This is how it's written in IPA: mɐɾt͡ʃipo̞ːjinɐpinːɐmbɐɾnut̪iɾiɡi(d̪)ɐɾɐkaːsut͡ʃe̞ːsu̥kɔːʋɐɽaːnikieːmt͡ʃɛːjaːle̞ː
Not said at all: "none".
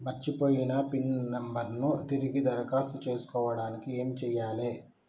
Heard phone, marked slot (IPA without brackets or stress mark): d̪